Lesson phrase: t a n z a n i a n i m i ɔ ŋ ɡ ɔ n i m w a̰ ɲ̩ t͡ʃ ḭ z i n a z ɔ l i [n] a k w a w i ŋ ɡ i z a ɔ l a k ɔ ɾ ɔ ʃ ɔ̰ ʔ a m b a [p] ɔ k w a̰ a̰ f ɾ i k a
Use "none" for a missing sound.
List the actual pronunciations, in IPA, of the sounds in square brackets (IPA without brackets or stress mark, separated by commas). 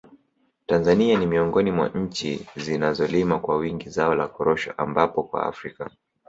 m, p